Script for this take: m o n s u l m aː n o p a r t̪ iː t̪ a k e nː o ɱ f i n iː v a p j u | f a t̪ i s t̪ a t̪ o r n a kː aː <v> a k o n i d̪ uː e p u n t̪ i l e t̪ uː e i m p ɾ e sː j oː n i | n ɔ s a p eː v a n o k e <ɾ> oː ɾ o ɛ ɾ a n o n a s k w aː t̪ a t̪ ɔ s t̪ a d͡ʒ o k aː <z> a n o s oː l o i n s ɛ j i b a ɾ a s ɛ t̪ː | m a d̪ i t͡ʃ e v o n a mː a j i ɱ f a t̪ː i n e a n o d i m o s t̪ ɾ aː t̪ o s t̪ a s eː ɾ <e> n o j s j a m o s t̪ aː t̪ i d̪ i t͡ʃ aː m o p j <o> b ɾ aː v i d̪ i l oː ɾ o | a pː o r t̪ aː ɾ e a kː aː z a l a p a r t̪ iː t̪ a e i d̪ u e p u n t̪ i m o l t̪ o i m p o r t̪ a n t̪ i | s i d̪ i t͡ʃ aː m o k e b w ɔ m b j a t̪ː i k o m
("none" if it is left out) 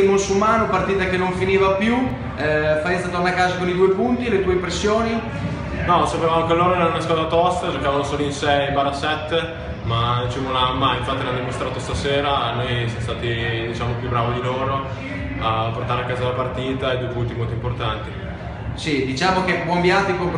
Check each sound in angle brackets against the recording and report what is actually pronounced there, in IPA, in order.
z, l, v, a, u

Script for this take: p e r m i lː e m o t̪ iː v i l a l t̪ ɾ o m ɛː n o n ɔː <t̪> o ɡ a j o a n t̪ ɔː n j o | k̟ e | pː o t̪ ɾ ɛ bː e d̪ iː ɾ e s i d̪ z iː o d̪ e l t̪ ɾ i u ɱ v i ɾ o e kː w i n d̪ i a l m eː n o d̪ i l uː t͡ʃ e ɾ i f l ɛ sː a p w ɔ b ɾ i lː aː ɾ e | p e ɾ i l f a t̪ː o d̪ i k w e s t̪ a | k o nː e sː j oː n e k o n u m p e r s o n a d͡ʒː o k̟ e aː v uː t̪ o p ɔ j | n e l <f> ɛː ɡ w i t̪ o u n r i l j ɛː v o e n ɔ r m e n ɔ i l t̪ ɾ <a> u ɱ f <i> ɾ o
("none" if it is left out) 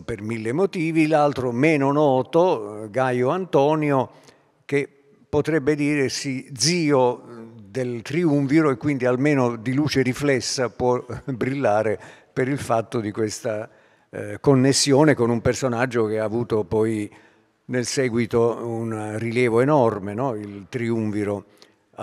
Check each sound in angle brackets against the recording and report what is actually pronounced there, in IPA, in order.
t̪, s, i, i

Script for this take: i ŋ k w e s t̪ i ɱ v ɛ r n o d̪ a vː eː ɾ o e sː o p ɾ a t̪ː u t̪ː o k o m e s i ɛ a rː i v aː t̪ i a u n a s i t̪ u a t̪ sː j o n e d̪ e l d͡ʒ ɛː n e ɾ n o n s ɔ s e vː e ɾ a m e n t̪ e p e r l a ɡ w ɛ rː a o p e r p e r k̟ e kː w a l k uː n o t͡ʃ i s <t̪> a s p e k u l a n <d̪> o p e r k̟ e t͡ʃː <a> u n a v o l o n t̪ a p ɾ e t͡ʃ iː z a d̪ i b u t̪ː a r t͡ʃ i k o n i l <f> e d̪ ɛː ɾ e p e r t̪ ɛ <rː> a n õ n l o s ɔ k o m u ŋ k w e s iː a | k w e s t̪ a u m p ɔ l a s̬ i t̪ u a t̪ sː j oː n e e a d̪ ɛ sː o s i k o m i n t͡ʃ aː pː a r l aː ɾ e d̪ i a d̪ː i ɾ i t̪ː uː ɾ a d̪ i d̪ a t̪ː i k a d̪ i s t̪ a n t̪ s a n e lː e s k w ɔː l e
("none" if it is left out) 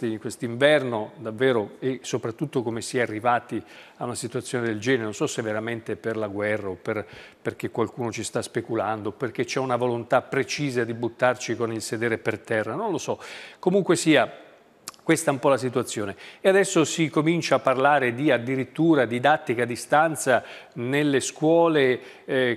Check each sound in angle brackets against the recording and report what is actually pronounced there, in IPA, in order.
t̪, d̪, ɛ, s, rː

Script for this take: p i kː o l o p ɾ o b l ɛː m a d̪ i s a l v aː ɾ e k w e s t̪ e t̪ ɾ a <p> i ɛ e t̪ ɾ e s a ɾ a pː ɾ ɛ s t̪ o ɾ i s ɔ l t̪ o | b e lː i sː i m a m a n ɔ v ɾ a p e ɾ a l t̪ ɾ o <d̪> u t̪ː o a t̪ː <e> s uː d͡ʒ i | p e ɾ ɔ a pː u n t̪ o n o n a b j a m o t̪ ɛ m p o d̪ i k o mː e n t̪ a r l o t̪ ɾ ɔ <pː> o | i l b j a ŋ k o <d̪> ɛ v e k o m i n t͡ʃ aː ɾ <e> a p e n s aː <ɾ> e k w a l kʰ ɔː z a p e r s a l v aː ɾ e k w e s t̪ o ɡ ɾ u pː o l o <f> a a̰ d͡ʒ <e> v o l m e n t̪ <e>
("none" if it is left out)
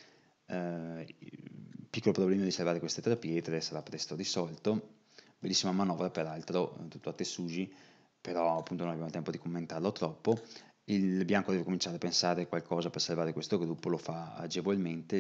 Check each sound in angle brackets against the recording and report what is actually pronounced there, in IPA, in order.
p, t̪, e, pː, d̪, e, ɾ, f, e, e

